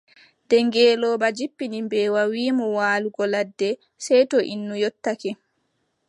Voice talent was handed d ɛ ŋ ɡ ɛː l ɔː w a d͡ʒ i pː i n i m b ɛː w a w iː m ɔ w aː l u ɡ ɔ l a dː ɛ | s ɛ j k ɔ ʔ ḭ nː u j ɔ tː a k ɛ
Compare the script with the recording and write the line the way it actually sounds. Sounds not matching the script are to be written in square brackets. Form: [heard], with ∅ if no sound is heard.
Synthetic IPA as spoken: d ɛ ŋ ɡ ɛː l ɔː [b] a d͡ʒ i pː i n i m b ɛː w a w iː m ɔ w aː l u ɡ ɔ l a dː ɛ | s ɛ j [t] ɔ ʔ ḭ nː u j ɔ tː a k ɛ